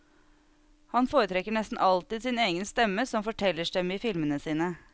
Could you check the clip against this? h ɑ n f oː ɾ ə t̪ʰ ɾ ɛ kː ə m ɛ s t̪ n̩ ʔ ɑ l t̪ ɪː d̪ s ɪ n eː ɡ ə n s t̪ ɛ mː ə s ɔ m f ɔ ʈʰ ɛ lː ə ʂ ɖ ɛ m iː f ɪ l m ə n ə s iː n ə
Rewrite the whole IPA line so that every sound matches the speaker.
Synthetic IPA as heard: h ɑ n f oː ɾ ə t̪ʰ ɾ ɛ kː ə ɳ ɛ s t̪ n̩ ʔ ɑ l t̪ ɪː d̪ s ɪ n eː ɡ ə n s t̪ ɛ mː ə s ɔ m f ɔ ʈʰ ɛ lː ə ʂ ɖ ɛ m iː f ɪ l m ə n ə s iː n ə